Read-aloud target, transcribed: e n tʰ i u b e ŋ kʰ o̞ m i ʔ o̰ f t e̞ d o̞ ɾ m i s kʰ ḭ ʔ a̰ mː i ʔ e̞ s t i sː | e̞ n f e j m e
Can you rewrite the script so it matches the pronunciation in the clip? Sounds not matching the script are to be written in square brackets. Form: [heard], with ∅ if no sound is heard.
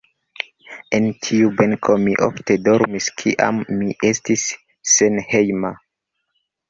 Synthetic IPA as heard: e n tʰ i u b e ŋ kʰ o̞ m i ʔ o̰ f t e̞ d o̞ ɾ m i s kʰ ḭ ʔ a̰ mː i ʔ e̞ s t i sː | e̞ n [h] e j m [a]